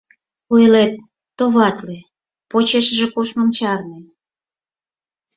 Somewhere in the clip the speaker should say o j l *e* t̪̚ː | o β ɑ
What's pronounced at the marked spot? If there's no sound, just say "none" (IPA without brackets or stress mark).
e